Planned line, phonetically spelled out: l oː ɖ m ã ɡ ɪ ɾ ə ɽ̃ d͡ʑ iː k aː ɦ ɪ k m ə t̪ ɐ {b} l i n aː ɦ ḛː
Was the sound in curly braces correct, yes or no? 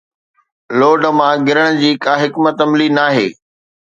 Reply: no